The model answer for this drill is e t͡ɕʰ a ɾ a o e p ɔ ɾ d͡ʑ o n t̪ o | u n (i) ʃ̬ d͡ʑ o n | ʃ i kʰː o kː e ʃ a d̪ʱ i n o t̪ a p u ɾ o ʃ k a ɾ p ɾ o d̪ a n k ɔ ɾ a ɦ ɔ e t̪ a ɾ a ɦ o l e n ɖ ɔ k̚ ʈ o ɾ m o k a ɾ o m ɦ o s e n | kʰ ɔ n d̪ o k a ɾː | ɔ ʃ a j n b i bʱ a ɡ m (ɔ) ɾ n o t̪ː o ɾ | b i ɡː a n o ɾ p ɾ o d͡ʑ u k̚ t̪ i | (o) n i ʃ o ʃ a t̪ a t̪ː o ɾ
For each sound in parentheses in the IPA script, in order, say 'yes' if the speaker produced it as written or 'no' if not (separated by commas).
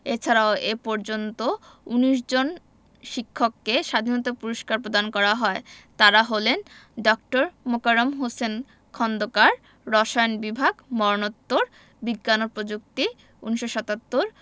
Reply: yes, yes, no